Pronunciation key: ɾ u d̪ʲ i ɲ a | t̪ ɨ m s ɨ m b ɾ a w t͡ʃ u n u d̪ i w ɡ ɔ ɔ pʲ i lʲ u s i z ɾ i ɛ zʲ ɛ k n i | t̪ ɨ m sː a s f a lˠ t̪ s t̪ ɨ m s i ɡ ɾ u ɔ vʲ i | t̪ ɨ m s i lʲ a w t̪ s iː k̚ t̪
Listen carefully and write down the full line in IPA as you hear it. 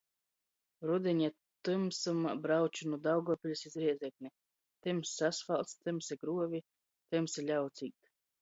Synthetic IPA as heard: ɾ u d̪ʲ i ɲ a | t̪ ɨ m s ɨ m b ɾ a w t͡ʃ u n u d̪ a w ɡ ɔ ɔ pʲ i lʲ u s i z ɾ i ɛ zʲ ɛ k n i | t̪ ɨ m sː a s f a lˠ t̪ s t̪ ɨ m s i ɡ ɾ u ɔ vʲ i | t̪ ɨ m s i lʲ a w t̪ s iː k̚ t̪

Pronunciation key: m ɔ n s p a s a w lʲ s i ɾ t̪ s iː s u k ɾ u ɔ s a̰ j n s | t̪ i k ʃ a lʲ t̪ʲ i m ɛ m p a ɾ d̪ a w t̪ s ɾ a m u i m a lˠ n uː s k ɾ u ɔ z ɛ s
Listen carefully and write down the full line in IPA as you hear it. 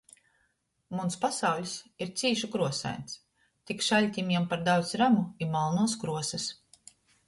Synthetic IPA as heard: m u n s p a s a w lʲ s i ɾ t̪ s iː ʃ u k ɾ u ɔ s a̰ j n s | t̪ i k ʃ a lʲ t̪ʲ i m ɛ m p a ɾ d̪ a w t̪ s ɾ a m u i m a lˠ n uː s k ɾ u ɔ s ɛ s

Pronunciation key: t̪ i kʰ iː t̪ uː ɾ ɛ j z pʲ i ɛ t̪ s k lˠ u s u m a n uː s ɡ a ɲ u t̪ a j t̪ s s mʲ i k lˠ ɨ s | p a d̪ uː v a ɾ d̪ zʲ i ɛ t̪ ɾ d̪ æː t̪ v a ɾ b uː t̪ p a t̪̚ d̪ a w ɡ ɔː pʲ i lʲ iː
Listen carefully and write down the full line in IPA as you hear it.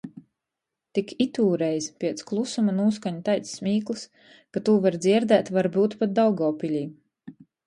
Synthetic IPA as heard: t̪ i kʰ i t̪ uː ɾ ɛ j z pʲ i ɛ t̪ s k lˠ u s u m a n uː s k a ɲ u t̪ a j t̪ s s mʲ iː k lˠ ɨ s | k a t̪ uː v a ɾ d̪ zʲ i ɛ ɾ d̪ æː t̪ v a ɾ b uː t̪ p a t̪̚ d̪ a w ɡ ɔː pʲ i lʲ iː

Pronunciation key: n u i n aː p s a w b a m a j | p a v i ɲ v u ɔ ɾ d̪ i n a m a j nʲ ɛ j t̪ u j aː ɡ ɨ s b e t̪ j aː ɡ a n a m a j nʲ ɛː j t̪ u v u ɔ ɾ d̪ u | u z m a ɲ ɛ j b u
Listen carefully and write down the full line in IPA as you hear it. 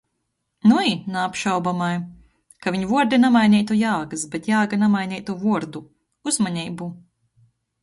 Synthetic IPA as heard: n u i n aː p ʃ a w b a m a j | k a v i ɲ v u ɔ ɾ d̪ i n a m a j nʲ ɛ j t̪ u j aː ɡ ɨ s b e t̪ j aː ɡ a n a m a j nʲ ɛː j t̪ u v u ɔ ɾ d̪ u | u z m a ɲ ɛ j b u

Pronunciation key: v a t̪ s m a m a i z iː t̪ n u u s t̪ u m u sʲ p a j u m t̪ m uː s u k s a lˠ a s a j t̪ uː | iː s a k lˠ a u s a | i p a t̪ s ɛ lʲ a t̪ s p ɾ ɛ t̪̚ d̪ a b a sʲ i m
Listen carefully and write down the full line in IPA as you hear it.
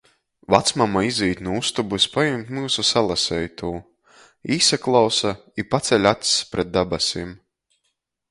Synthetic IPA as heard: v a t̪ s m a m a i z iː t̪ n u u s t̪ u b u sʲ p a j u m t̪ m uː s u s a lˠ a s ɛ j t̪ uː | iː s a k lˠ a w s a | i p a t̪ s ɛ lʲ a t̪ s p ɾ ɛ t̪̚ d̪ a b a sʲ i m

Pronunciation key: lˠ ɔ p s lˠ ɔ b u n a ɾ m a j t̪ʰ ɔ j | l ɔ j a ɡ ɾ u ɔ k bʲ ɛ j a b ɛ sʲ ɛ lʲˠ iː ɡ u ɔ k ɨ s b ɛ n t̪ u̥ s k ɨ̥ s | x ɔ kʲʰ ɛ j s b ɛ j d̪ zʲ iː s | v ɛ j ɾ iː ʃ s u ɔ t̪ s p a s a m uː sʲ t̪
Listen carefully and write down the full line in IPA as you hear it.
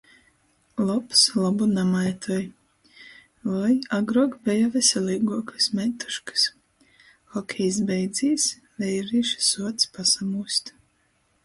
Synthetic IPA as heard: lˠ ɔ p s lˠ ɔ b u n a m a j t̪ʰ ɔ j | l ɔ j a ɡ ɾ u ɔ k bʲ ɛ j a v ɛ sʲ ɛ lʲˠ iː ɡ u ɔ k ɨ s m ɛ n t̪ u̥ ʃ k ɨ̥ s | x ɔ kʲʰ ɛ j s b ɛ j d̪ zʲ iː s | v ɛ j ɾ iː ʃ s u ɔ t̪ s p a s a m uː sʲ t̪

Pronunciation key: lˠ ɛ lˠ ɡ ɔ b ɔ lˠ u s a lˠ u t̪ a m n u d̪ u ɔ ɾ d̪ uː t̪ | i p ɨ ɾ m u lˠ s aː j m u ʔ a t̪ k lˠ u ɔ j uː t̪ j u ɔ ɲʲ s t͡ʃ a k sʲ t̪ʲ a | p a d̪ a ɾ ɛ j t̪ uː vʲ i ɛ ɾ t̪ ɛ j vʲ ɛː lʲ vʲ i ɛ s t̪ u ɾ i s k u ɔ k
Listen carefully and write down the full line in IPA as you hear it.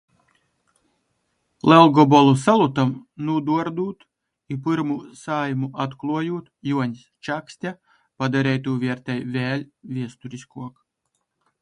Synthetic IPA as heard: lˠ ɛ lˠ ɡ ɔ b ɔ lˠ u s a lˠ u t̪ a m n u d̪ u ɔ ɾ d̪ uː t̪ | i p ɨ ɾ m u s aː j m u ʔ a t̪ k lˠ u ɔ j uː t̪ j u ɔ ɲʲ s t͡ʃ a k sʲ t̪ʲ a | p a d̪ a ɾ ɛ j t̪ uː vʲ i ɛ ɾ t̪ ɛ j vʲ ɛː lʲ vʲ i ɛ s t̪ u ɾ i s k u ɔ k

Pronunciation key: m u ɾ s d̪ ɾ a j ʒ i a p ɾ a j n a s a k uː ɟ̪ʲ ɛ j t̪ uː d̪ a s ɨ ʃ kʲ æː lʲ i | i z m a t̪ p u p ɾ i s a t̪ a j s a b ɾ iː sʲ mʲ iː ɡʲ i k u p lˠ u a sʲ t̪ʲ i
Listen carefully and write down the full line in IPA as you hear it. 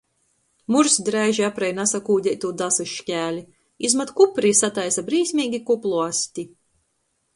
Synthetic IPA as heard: m u ɾ s d̪ ɾ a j ʒ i a p ɾ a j n a s a k uː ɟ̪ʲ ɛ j t̪ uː d̪ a s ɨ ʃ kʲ æː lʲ i | i z m a t̪ k u p ɾ i s a t̪ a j s a b ɾ iː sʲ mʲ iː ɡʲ i k u p lˠ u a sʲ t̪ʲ i

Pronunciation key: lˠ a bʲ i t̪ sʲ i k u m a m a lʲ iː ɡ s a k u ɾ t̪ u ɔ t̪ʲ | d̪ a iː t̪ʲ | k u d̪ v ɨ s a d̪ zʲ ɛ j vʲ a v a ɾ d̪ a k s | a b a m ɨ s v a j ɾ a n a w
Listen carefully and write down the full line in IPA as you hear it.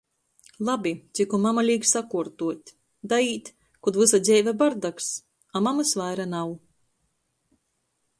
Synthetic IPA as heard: lˠ a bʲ i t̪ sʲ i k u m a m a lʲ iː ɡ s a k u ɾ t̪ u ɔ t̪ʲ | d̪ a iː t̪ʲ | k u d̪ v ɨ s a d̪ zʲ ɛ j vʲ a b a ɾ d̪ a k s | a m a m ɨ s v a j ɾ a n a w

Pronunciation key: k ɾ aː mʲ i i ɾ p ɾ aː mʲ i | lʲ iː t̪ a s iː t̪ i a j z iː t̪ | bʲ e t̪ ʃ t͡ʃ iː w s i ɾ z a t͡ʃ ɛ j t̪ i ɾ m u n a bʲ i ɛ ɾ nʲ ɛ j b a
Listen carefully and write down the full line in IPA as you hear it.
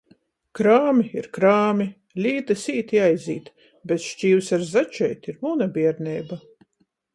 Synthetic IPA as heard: k ɾ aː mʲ i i ɾ k ɾ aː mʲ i | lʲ iː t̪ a s iː t̪ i a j z iː t̪ | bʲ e t̪ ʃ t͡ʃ iː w s a ɾ z a t͡ʃ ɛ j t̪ i ɾ m u n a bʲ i ɛ ɾ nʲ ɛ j b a

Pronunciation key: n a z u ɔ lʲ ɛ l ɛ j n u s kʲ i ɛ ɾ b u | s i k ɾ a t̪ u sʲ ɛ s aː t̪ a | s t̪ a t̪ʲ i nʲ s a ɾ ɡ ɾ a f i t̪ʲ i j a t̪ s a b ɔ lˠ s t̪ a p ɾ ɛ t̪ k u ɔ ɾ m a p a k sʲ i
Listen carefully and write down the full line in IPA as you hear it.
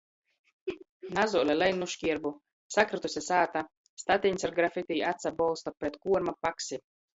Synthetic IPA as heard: n a z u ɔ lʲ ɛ l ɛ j n u ʃ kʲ i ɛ ɾ b u | s a k ɾ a t̪ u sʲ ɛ s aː t̪ a | s t̪ a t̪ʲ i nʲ s a ɾ ɡ ɾ a f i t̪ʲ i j a t̪ s a b ɔ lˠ s t̪ a p ɾ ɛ t̪ k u ɔ ɾ m a p a k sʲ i

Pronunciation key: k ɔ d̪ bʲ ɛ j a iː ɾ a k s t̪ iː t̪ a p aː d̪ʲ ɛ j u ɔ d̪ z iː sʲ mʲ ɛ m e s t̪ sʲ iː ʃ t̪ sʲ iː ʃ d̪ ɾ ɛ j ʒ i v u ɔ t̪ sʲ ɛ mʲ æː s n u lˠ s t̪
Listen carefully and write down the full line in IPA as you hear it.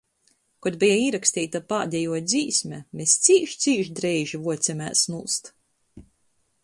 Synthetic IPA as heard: k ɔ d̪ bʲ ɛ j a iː ɾ a k s t̪ iː t̪ a p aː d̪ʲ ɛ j u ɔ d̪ z iː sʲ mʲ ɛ m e s t̪ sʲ iː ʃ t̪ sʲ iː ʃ d̪ ɾ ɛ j ʒ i v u ɔ t̪ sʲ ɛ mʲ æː s n u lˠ s t̪

